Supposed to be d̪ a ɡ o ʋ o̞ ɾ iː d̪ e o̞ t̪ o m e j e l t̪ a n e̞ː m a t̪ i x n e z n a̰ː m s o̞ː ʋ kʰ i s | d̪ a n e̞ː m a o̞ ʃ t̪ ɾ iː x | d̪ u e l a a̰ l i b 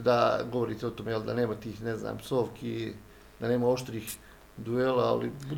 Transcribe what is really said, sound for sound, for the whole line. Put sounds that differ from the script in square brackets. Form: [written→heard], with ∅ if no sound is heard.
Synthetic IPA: d̪ a ɡ o ʋ o̞ ɾ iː [d̪→t̪] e o̞ t̪ o m e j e l [t̪→d̪] a n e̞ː m a t̪ [i→iː] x n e z n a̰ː m s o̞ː ʋ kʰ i [s→∅] | d̪ a n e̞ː m a o̞ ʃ t̪ ɾ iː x | d̪ u e l a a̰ l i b